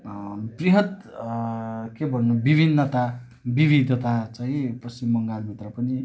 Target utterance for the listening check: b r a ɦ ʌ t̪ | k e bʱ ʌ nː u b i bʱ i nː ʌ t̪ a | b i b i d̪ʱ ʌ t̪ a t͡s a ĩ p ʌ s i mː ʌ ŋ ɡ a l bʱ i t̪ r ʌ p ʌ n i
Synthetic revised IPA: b r i ɦ ʌ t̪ | k e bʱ ʌ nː u b i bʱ i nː ʌ t̪ a | b i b i d̪ʱ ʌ t̪ a t͡s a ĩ p ʌ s i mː ʌ ŋ ɡ a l bʱ i t̪ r ʌ p ʌ n i